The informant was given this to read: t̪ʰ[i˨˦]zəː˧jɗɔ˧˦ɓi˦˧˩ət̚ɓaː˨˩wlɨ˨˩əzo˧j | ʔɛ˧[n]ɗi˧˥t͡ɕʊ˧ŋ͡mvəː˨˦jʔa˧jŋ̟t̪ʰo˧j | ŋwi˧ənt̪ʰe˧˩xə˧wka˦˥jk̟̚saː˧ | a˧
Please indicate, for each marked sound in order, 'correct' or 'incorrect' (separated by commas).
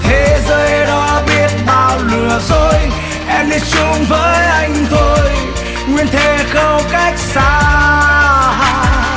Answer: incorrect, incorrect